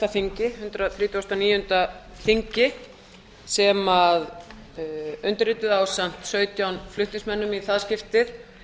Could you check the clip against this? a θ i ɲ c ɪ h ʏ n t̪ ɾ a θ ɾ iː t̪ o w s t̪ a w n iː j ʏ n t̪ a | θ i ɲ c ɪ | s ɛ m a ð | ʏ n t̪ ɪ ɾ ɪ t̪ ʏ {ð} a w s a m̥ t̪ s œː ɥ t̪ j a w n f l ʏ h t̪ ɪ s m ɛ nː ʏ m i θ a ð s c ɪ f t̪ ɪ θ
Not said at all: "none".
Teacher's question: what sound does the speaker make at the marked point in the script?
ð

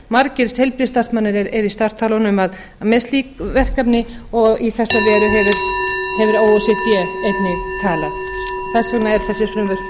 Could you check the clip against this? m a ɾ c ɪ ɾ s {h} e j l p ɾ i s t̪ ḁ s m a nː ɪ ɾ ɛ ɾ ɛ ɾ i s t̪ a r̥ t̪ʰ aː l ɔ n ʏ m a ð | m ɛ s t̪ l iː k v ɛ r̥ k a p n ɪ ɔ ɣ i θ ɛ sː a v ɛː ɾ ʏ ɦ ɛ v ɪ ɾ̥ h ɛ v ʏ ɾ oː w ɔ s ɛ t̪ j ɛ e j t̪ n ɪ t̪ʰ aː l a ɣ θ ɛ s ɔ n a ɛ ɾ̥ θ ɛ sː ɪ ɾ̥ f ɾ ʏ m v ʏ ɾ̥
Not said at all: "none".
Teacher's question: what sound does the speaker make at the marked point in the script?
h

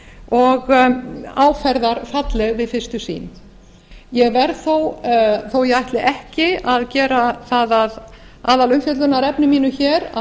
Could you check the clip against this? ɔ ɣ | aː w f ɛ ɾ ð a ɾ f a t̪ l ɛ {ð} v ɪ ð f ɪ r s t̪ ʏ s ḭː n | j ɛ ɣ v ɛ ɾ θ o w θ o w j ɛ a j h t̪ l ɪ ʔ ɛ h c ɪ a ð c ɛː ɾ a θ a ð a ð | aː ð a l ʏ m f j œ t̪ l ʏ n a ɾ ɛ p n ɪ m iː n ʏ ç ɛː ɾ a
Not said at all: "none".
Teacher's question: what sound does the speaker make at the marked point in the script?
ɣ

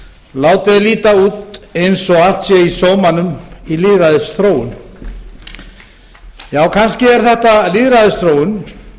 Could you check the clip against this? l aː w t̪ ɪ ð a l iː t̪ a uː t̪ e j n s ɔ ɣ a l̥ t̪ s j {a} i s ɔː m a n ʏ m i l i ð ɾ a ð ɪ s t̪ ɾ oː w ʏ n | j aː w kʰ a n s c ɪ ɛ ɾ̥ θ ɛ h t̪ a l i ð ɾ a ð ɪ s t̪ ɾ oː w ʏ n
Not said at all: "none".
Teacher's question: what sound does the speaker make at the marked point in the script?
ɛ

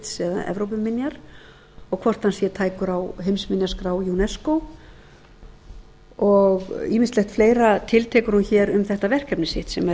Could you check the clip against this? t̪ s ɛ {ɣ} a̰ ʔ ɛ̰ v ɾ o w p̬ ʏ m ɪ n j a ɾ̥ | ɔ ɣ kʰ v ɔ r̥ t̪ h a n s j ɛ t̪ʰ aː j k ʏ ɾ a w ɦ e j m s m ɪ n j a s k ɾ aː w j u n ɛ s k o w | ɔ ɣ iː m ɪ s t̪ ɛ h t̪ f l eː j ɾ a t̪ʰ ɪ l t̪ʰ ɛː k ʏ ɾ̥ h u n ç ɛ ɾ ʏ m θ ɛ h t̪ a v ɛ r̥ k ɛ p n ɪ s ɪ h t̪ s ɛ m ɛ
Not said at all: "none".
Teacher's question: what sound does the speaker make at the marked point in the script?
ð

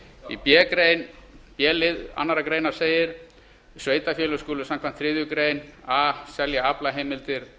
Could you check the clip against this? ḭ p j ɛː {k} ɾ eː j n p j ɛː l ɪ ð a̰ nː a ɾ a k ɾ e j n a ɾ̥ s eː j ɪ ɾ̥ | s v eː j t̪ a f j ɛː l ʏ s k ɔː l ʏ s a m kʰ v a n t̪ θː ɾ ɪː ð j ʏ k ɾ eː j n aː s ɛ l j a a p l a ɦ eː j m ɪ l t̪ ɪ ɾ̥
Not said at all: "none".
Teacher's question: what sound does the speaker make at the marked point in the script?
k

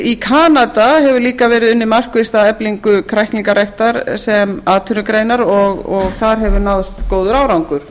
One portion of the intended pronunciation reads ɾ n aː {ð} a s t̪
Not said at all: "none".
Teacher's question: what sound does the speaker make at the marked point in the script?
ð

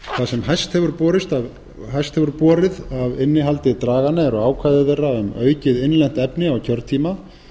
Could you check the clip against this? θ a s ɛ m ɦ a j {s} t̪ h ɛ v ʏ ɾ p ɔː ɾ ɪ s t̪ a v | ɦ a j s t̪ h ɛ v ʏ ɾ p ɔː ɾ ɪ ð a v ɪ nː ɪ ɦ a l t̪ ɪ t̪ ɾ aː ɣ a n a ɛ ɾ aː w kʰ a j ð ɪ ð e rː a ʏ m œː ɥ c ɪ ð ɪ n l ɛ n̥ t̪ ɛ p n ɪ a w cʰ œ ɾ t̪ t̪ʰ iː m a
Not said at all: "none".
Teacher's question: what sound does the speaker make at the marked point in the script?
s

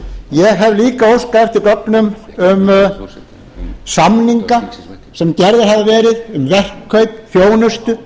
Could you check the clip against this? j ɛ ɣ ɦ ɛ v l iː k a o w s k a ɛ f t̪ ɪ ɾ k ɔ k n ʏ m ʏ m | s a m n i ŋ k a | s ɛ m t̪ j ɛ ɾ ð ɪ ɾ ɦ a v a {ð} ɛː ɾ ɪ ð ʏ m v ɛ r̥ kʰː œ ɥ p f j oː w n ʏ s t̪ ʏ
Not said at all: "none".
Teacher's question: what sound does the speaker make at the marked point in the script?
v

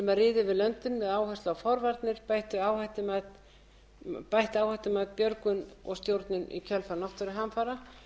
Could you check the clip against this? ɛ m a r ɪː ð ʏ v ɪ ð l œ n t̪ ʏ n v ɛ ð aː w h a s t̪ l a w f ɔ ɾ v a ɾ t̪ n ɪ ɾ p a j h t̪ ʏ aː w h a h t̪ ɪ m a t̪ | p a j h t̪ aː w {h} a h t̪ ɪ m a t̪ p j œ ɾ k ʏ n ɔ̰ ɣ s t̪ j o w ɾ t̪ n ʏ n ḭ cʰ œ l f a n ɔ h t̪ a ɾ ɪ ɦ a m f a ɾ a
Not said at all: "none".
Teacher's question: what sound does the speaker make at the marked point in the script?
h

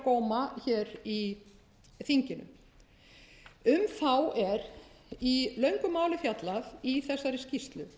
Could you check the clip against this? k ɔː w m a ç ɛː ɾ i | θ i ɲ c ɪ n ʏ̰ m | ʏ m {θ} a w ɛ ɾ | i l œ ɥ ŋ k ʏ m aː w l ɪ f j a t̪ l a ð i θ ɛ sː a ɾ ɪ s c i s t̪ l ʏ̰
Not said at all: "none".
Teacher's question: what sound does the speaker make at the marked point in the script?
θ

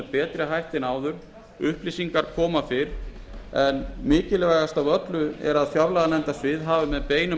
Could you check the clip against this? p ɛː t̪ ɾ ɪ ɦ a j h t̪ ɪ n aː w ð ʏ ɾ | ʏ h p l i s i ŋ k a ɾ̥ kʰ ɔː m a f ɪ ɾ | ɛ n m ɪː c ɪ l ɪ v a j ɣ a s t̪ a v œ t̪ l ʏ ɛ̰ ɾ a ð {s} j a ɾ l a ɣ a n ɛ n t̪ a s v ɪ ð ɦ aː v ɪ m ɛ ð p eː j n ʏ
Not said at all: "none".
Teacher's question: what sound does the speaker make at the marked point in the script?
f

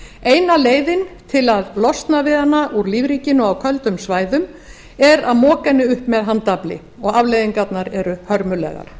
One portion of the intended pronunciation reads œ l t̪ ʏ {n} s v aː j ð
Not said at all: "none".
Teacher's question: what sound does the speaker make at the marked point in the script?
m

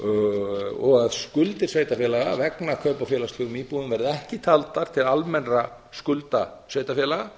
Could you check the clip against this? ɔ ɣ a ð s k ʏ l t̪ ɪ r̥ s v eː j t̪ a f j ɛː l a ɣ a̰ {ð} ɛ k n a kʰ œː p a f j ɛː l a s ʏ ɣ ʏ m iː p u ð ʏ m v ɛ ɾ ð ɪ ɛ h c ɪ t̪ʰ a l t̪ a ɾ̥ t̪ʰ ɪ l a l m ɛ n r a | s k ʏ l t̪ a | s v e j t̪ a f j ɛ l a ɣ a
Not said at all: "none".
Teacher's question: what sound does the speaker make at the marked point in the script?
v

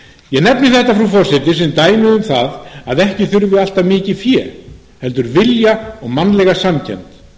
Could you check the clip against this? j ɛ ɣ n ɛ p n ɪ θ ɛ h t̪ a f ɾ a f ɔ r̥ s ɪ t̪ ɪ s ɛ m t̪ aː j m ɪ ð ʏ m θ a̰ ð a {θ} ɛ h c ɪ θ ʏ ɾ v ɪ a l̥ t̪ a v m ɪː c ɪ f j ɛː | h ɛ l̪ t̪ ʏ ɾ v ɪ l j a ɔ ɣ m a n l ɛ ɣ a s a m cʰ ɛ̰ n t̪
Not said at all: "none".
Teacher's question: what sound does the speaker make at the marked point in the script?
ð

